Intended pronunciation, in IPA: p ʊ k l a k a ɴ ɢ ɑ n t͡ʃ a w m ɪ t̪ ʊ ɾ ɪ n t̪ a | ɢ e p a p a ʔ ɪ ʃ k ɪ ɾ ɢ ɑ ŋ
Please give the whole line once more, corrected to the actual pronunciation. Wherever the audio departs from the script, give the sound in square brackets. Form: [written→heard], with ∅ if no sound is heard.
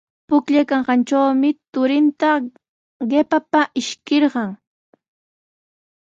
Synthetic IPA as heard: p ʊ k [l→ʎ] a k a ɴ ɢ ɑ n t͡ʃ a w m ɪ t̪ ʊ ɾ ɪ n t̪ a | ɢ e p a p a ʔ ɪ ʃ k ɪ ɾ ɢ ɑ ŋ